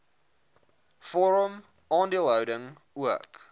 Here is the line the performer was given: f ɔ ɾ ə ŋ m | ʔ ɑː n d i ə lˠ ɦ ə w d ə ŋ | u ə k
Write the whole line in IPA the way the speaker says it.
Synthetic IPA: f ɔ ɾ ə m | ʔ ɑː n d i ə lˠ ɦ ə w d ə ŋ | u ə k

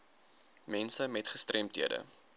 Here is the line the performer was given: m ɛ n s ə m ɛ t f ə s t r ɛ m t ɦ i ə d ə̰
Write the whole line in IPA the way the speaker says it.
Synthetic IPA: m ɛ n s ə m ɛ t χ ə s t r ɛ m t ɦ i ə d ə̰

